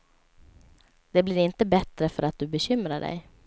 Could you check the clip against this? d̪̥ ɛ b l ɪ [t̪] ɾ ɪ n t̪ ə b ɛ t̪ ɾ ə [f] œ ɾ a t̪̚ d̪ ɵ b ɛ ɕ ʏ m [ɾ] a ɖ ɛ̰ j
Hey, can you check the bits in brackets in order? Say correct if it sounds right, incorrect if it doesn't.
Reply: incorrect: none, correct, correct

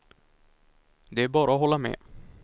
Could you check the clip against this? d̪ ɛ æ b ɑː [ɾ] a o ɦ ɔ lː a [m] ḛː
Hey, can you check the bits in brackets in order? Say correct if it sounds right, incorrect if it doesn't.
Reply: correct, correct

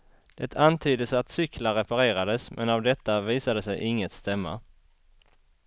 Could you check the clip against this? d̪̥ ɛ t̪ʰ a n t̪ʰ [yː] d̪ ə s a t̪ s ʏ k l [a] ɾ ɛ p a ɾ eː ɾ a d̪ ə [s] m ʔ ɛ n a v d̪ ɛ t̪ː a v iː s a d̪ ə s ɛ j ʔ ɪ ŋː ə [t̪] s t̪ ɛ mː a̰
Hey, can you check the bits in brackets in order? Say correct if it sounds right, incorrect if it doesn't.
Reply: correct, correct, correct, correct

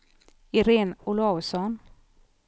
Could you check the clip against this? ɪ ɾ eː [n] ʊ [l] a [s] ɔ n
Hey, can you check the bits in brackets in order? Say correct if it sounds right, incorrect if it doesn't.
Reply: correct, correct, correct

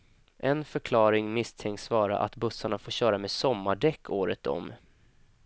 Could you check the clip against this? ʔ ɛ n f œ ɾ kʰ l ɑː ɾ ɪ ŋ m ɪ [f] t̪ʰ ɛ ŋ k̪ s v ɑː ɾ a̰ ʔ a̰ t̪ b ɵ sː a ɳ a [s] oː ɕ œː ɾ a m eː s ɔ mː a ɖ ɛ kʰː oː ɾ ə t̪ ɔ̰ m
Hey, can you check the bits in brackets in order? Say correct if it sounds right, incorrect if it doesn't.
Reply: incorrect: s, incorrect: f

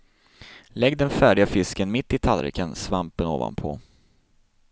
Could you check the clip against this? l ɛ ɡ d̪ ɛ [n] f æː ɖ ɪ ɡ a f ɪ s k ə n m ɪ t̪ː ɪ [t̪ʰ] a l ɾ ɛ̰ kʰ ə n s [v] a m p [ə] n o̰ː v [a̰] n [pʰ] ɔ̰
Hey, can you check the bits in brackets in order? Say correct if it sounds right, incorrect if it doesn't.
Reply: correct, correct, correct, correct, correct, correct

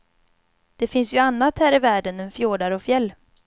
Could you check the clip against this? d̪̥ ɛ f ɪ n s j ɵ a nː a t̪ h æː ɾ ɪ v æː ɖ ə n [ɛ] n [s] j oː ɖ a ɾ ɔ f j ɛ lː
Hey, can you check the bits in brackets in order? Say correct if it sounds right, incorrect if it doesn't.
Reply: correct, incorrect: f

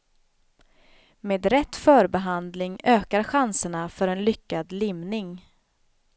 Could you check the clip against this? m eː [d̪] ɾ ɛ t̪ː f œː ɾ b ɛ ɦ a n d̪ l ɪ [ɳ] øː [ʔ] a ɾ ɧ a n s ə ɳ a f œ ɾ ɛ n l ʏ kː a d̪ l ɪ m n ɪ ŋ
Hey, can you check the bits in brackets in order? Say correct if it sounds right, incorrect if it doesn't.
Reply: correct, incorrect: ŋ, incorrect: k

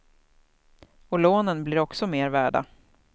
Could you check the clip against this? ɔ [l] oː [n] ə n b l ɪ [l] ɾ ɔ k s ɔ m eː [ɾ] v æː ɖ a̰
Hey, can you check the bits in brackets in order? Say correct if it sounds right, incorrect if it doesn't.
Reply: correct, correct, incorrect: none, correct

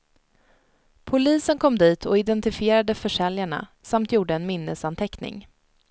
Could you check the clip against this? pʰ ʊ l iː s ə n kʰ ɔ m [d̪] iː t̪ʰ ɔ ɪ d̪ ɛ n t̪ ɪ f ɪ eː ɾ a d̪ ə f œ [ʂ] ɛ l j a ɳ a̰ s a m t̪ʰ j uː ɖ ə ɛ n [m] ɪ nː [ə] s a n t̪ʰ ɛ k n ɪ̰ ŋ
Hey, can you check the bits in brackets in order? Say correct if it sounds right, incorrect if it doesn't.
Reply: correct, correct, correct, correct

